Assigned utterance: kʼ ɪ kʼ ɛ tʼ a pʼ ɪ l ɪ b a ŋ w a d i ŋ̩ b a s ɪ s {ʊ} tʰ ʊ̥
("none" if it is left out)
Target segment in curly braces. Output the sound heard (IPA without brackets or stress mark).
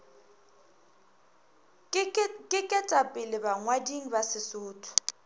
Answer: ʊː